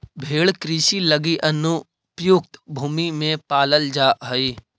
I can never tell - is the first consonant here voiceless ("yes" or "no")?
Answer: no